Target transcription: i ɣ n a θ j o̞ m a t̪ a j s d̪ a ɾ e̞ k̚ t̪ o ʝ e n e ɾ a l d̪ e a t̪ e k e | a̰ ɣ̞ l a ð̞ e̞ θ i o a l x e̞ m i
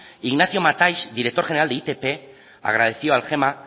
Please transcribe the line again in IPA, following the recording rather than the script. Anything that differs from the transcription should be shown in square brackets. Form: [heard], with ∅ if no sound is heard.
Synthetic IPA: i ɣ n a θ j o̞ m a t̪ a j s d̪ [i] ɾ e̞ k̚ t̪ o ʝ e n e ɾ a l d̪ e [i] t̪ e [p] e | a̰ ɣ̞ [ɾ] a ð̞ e̞ θ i o a l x e̞ m [a]

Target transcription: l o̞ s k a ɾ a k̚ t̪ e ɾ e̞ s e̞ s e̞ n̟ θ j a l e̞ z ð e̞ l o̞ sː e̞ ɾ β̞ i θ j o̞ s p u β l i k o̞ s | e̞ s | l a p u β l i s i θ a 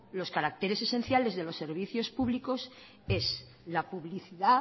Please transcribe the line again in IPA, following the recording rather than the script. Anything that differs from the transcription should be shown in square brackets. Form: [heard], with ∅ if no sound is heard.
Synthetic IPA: l o̞ s k a ɾ a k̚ t̪ e ɾ e̞ s e̞ s e̞ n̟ θ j a l e̞ z ð e̞ l o̞ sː e̞ ɾ β̞ i θ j o̞ s p u β l i k o̞ s | e̞ s | l a p u β l i [θ] i [ð] a

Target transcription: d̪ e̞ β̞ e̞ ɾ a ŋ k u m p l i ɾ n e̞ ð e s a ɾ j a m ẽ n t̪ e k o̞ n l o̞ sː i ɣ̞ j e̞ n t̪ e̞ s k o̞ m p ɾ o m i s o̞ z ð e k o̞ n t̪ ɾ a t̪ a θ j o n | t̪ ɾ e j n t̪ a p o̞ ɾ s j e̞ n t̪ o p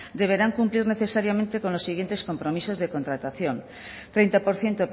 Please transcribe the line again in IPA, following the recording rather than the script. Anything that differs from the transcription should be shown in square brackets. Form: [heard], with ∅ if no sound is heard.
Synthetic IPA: d̪ e̞ β̞ e̞ ɾ a ŋ k u m p l i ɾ n e̞ [θ] e s a ɾ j a m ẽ n t̪ e k o̞ n l o̞ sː i ɣ̞ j e̞ n t̪ e̞ s k o̞ m p ɾ o m i s o̞ z ð e k o̞ n t̪ ɾ a t̪ a θ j o n | t̪ ɾ e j n t̪ a p o̞ ɾ [θ] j e̞ n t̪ o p

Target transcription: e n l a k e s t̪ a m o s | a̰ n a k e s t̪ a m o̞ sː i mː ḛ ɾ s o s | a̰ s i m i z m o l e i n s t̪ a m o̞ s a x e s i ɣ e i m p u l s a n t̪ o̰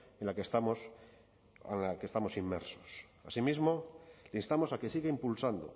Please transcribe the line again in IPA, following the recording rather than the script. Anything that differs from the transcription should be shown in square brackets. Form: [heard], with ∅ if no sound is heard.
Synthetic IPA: e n l a k e s t̪ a m o s | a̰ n a k e s t̪ a m o̞ [s] i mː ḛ ɾ s o s | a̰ s i m i z m o l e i n s t̪ a m o̞ s a [k] e s i ɣ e i m p u l s a n [d̪] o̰

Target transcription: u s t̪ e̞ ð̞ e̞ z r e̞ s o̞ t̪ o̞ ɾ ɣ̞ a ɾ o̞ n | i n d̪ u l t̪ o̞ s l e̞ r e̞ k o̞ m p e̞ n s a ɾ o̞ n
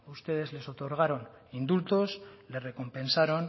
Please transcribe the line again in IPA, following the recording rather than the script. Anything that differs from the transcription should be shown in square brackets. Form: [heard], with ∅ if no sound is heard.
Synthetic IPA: u s t̪ e̞ ð̞ e̞ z [l] e̞ s o̞ t̪ o̞ ɾ ɣ̞ a ɾ o̞ n | i n d̪ u l t̪ o̞ s l e̞ r e̞ k o̞ m p e̞ n s a ɾ o̞ n

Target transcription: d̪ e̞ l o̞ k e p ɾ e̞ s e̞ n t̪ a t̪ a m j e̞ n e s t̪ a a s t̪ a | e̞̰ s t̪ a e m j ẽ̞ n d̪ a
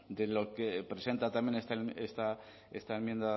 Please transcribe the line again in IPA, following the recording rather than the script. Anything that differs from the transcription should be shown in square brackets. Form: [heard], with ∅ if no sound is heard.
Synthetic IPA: d̪ e̞ l o̞ k e p ɾ e̞ s e̞ n t̪ a t̪ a m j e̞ n e s t̪ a [e] s t̪ a | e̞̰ s t̪ a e m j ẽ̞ n d̪ a

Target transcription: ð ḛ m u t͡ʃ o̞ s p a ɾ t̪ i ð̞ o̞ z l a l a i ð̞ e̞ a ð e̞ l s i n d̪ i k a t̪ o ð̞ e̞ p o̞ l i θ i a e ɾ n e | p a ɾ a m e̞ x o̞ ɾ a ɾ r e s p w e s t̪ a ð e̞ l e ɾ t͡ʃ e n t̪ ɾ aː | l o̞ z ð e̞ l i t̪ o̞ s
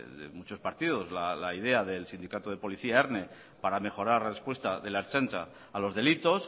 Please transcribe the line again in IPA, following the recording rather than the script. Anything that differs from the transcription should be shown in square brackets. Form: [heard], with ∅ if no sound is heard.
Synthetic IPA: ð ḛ m u t͡ʃ o̞ s p a ɾ t̪ i ð̞ o̞ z l a l a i ð̞ e̞ a ð e̞ l s i n d̪ i k a t̪ o ð̞ e̞ p o̞ l i θ i a e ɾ n e | p a ɾ a m e̞ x o̞ ɾ a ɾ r e s p w e s t̪ a ð e̞ l e ɾ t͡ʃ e n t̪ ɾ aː | l o̞ z ð e̞ l i t̪ o̞ s

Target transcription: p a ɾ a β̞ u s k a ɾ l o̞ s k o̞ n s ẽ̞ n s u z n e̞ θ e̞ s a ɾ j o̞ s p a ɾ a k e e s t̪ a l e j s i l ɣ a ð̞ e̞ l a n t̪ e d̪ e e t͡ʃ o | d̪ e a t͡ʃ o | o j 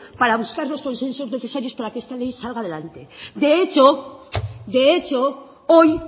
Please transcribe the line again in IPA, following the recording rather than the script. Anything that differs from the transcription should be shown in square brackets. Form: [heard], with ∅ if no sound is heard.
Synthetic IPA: p a ɾ a β̞ u s k a ɾ l o̞ s k o̞ n s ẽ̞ n s [o] z n e̞ θ e̞ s a ɾ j o̞ s p a ɾ a k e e s t̪ a l e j s [a] l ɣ a ð̞ e̞ l a n t̪ e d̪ e e t͡ʃ o | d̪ e [e] t͡ʃ o | o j

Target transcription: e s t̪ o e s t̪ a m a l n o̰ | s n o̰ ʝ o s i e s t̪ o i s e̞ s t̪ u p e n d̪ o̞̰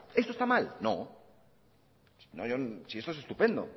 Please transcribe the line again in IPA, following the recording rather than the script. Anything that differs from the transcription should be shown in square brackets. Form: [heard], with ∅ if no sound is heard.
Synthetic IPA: e s t̪ o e s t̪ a m a l n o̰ | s n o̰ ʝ o s i e s t̪ o [e] s e̞ s t̪ u p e n d̪ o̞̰

